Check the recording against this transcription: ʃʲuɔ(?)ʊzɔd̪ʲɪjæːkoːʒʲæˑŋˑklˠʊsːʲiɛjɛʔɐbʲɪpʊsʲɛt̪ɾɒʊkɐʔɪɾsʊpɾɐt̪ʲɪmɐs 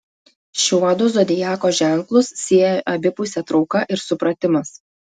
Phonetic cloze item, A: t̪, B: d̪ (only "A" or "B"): B